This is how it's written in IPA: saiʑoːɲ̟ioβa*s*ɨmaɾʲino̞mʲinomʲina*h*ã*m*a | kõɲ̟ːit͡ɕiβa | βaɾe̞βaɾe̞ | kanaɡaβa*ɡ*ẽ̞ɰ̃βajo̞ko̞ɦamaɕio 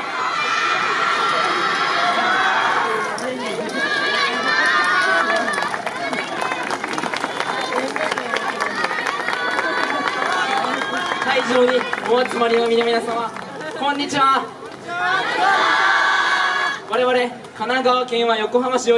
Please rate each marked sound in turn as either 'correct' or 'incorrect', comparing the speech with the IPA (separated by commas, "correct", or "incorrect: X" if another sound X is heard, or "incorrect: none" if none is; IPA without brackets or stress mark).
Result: incorrect: t͡s, incorrect: s, correct, incorrect: k